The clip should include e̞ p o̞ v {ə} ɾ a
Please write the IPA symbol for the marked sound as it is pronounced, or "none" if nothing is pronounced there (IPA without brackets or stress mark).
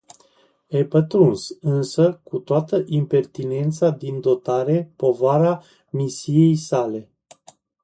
a